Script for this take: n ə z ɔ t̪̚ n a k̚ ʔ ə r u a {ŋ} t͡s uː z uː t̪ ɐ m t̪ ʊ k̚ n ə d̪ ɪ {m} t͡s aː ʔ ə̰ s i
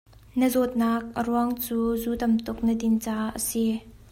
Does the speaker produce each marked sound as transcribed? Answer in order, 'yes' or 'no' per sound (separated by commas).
yes, no